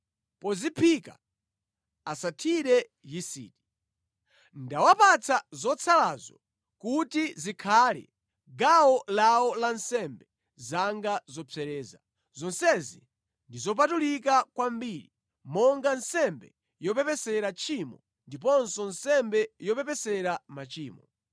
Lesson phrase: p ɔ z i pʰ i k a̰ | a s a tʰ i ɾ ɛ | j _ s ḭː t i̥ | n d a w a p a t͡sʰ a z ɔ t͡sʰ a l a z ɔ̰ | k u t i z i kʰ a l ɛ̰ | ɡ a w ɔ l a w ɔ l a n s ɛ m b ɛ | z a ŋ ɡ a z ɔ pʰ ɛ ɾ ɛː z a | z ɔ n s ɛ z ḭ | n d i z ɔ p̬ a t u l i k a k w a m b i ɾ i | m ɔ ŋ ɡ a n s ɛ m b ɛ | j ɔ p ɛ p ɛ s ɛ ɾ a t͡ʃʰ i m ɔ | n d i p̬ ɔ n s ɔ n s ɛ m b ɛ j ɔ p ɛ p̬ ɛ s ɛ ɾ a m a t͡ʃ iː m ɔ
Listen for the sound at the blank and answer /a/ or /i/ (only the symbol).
i